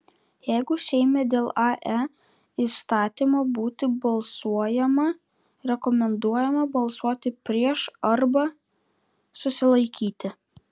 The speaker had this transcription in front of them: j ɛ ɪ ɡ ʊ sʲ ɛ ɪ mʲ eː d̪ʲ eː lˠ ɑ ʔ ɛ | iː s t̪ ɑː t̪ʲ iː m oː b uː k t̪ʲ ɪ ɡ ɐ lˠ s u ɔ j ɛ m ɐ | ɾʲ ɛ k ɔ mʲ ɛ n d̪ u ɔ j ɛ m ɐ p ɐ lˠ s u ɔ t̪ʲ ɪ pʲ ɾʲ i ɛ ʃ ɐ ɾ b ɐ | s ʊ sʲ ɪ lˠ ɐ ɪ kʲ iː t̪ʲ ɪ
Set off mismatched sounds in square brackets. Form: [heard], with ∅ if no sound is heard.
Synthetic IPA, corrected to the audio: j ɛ ɪ ɡ ʊ sʲ ɛ ɪ mʲ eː d̪ʲ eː lˠ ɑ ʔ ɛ | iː s t̪ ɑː t̪ʲ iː m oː b uː [∅] t̪ʲ ɪ [b] ɐ lˠ s u ɔ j ɛ m ɐ | ɾʲ ɛ k ɔ mʲ ɛ n d̪ u ɔ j ɛ m ɐ [b] ɐ lˠ s u ɔ t̪ʲ ɪ pʲ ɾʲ i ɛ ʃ ɐ ɾ b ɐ | s ʊ sʲ ɪ lˠ ɐ ɪ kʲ iː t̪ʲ ɪ